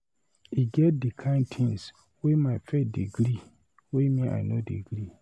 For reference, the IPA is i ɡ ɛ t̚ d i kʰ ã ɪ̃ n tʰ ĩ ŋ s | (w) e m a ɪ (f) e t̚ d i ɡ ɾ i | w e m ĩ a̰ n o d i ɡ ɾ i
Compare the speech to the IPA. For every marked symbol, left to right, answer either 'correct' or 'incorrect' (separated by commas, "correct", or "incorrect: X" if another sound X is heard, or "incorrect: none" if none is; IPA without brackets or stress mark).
correct, correct